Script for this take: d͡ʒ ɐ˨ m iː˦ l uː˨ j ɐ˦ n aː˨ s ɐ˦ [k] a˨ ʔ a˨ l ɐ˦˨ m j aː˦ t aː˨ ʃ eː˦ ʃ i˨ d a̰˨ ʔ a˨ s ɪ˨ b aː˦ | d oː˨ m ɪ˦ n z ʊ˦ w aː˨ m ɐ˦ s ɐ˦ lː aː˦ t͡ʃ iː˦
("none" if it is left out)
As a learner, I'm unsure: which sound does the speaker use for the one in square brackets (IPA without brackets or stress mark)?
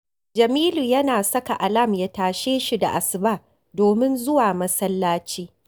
k